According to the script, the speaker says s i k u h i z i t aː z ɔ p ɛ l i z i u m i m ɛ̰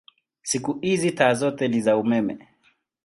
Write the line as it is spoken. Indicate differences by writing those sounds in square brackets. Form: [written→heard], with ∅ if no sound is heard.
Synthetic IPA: s i k u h i z i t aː z ɔ [p→t] ɛ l i z [i→a] u m [i→ɛ] m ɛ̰